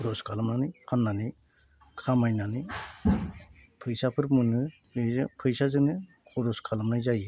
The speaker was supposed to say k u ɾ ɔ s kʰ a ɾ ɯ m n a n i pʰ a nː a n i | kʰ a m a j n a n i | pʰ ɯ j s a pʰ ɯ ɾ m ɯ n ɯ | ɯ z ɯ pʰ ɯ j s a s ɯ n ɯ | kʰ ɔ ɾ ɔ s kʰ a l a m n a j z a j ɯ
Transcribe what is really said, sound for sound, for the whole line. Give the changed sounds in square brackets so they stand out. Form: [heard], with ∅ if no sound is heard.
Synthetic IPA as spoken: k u ɾ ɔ s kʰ a [l] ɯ m n a n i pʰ a nː a n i | kʰ a m a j n a n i | pʰ ɯ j s a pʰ ɯ ɾ m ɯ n ɯ | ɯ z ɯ pʰ ɯ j s a [z] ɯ n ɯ | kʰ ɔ ɾ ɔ s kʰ a l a m n a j z a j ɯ